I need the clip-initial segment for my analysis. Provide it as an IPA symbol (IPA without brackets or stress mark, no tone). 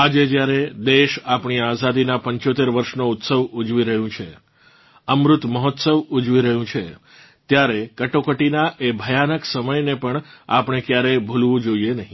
a